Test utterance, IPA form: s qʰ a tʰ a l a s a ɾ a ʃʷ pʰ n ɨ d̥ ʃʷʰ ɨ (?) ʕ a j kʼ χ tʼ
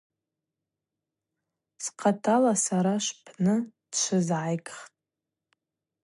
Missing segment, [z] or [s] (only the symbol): z